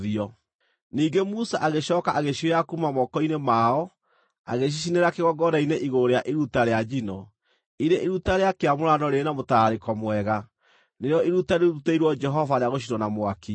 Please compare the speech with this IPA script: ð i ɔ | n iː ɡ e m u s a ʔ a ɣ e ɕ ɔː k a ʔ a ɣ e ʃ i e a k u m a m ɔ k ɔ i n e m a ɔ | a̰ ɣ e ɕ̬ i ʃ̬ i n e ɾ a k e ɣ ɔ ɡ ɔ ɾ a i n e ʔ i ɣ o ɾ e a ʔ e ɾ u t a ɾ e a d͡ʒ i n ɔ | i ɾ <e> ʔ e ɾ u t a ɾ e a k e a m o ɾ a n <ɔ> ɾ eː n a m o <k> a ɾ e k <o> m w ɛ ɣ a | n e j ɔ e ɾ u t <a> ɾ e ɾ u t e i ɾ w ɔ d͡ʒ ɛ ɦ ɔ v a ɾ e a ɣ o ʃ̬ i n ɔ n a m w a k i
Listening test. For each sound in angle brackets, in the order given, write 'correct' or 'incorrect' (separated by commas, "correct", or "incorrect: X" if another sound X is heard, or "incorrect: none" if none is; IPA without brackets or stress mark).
correct, correct, incorrect: t, incorrect: ɔ, correct